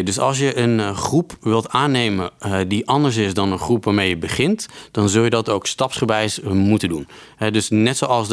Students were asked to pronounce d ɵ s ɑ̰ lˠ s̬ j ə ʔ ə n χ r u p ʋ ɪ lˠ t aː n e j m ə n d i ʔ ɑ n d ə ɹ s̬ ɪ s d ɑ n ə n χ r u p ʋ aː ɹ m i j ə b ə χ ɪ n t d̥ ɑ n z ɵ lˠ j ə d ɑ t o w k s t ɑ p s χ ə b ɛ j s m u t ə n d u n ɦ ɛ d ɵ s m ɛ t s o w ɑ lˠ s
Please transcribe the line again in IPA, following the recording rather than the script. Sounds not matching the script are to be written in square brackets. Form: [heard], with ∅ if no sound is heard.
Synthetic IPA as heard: d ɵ s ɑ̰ lˠ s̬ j ə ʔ ə n χ r u p ʋ ɪ lˠ t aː n e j m ə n d i ʔ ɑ n d ə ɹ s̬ ɪ s d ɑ n ə n χ r u p ʋ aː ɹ m [e] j ə b ə χ ɪ n t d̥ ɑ n z ɵ lˠ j ə d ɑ t o w k s t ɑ p s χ ə b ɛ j s m u t ə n d u n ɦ ɛ d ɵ s [n] ɛ t s o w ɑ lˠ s